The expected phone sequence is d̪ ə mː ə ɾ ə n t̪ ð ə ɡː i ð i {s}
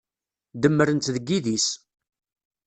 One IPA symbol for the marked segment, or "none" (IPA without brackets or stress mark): s